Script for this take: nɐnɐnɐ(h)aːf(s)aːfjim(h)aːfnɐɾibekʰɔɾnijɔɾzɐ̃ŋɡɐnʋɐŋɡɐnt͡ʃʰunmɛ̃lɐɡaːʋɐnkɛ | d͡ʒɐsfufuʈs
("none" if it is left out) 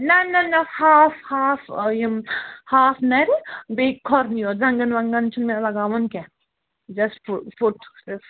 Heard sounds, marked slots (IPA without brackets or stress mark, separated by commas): h, h, h